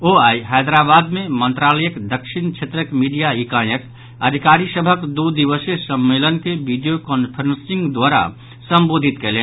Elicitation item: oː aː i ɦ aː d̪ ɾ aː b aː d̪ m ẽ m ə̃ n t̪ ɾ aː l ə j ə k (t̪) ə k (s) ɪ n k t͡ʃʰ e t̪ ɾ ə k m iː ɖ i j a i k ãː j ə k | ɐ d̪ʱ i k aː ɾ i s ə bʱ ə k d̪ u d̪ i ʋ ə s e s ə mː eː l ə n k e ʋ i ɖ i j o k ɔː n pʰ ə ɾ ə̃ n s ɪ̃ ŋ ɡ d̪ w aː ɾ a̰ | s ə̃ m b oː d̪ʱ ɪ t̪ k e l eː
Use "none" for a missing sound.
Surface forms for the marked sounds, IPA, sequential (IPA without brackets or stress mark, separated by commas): d̪, ʃ